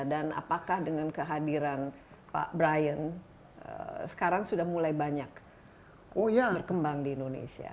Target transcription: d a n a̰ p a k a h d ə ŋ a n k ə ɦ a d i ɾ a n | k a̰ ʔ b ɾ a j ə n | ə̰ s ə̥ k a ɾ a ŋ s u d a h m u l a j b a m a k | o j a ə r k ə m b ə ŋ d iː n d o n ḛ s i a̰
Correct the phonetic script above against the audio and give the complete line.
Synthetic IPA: d a n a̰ p a k a h d ə ŋ a n k ə ɦ a d i ɾ a n | p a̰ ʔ b ɾ a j ə n | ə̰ s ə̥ k a ɾ a ŋ s u d a h m u l a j b a ɲ a k | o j a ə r k ə m b a ŋ d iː n d o n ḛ s i a̰